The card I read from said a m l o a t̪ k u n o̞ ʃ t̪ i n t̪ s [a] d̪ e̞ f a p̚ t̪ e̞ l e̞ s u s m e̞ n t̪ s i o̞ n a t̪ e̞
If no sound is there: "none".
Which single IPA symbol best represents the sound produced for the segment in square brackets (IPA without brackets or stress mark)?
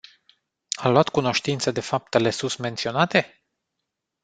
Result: ə